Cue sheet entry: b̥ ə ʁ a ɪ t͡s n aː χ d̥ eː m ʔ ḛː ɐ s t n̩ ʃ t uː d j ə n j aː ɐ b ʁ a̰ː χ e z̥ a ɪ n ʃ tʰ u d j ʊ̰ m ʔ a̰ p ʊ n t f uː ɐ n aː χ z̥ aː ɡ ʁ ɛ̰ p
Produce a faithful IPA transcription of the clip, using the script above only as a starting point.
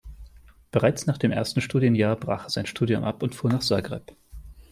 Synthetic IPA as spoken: b̥ ə ʁ a ɪ t͡s n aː χ d̥ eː m ʔ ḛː ɐ s t n̩ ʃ t uː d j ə n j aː ɐ b ʁ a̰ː χ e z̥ a ɪ n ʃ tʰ uː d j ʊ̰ m ʔ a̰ p ʊ n t f uː ɐ n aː χ z̥ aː ɡ ʁ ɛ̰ p